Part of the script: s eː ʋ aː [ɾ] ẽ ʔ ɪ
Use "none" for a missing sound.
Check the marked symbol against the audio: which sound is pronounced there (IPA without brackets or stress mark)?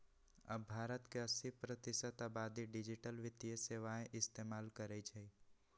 none